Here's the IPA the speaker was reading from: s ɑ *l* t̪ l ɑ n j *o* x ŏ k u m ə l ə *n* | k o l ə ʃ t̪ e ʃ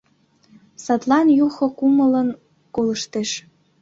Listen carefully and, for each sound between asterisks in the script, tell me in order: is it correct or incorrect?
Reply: incorrect: none, incorrect: u, correct

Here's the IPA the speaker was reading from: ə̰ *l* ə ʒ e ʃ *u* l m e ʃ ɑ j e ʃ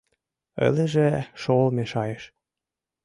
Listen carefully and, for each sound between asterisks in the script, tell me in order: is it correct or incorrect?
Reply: correct, incorrect: o

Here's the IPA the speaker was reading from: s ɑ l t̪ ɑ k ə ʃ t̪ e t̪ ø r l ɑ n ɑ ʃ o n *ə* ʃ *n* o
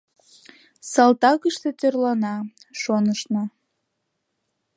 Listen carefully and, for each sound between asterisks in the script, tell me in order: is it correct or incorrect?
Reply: correct, correct

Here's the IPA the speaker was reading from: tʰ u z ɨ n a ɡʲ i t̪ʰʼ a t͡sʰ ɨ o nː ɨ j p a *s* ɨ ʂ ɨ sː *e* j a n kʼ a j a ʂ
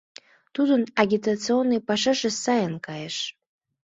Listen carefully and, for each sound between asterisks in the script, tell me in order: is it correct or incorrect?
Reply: incorrect: ʂ, incorrect: a

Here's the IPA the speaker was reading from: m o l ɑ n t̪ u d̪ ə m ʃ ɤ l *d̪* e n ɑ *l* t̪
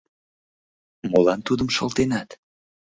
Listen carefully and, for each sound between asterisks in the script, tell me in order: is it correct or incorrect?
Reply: incorrect: t̪, incorrect: none

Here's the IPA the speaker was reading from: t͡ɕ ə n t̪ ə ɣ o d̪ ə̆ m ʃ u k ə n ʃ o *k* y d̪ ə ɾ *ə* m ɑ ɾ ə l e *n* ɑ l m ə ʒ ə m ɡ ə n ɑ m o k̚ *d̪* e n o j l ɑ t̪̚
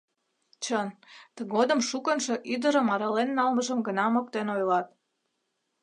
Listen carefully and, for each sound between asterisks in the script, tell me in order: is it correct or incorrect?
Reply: incorrect: ʔ, correct, incorrect: nː, incorrect: t̪

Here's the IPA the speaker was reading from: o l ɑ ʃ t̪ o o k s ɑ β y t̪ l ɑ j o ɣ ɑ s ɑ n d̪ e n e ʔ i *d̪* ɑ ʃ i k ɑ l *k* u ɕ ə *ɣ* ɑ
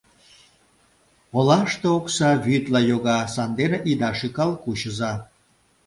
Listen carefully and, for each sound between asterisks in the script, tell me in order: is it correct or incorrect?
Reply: correct, correct, incorrect: z

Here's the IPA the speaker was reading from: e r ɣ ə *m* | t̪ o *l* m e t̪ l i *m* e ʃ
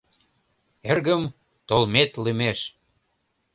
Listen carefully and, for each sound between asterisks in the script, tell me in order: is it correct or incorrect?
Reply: correct, correct, correct

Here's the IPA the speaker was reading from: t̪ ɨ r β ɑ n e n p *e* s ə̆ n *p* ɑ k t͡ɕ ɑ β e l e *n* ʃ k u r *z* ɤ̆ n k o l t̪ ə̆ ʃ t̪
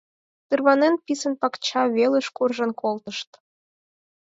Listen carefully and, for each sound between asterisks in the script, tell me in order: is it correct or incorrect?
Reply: incorrect: i, correct, incorrect: none, incorrect: ʒ

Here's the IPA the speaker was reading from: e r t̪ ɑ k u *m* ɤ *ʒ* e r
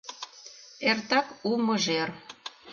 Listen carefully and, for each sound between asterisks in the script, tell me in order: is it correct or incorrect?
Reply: correct, correct

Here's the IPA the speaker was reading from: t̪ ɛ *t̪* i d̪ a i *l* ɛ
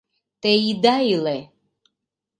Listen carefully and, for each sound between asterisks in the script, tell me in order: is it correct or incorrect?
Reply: incorrect: none, correct

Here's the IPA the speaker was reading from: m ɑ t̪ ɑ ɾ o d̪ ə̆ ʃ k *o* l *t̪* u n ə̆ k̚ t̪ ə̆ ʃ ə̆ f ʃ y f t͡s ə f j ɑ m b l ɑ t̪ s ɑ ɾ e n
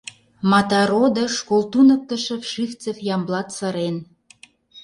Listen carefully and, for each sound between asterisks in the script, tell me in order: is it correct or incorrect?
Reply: correct, correct

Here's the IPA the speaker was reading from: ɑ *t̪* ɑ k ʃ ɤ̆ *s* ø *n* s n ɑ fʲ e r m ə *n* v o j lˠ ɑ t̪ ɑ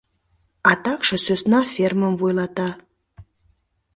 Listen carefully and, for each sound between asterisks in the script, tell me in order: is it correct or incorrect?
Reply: correct, correct, incorrect: none, incorrect: m

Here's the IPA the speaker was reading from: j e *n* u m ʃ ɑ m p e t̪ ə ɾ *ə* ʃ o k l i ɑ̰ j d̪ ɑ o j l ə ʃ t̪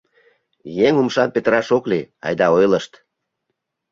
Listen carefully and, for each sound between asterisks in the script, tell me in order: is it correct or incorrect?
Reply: incorrect: ŋ, incorrect: ɑ

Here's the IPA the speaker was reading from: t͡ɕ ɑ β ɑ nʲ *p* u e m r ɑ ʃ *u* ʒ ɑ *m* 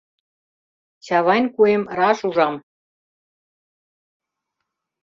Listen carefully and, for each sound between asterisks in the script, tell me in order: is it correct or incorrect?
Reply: incorrect: k, correct, correct

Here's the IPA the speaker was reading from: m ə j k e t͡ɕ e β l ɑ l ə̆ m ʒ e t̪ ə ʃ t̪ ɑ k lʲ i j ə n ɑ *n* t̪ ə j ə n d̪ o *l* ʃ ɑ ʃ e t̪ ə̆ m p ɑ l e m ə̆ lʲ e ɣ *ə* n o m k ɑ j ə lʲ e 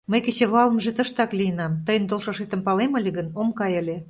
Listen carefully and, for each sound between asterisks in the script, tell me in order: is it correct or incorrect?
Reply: incorrect: m, correct, correct

